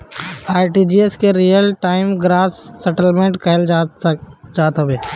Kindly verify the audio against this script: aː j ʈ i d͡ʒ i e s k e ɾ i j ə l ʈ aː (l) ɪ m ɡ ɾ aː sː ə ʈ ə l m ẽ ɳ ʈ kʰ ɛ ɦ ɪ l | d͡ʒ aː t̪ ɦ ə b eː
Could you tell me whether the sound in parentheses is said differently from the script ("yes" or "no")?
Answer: yes